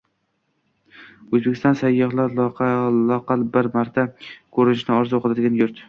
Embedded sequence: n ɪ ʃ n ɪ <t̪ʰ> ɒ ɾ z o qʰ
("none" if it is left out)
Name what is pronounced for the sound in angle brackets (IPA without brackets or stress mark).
none